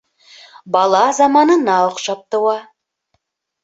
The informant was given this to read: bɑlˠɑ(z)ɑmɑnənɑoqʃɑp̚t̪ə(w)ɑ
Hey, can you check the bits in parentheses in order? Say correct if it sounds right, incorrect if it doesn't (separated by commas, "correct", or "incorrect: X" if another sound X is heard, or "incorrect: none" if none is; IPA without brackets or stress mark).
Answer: correct, correct